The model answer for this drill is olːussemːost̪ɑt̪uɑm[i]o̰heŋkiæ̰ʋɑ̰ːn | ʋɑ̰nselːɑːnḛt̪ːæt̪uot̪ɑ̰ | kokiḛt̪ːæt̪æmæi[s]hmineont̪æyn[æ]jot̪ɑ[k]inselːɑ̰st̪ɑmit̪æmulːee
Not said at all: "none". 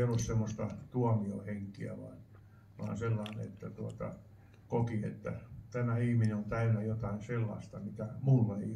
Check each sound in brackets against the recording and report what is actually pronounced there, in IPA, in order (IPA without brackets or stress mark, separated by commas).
i, none, æ, none